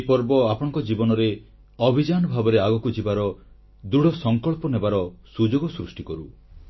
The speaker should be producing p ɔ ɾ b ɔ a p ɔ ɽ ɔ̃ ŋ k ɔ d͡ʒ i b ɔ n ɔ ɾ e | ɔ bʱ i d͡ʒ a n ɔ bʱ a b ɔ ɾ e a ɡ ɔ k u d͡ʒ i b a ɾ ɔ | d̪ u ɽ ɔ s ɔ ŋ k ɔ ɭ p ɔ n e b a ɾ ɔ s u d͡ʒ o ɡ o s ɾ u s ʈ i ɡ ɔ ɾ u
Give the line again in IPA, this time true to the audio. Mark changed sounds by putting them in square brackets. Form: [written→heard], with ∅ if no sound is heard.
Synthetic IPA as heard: p ɔ ɾ b ɔ a p ɔ ɽ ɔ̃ ŋ k ɔ d͡ʒ i b ɔ n ɔ ɾ e | ɔ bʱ i d͡ʒ a n ɔ bʱ a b ɔ ɾ e a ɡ ɔ k u d͡ʒ i b a ɾ ɔ | d̪ u ɽ ɔ s ɔ ŋ k ɔ ɭ p ɔ n e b a ɾ ɔ s u d͡ʒ o ɡ [o→ɔ] s ɾ u s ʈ i [ɡ→k] ɔ ɾ u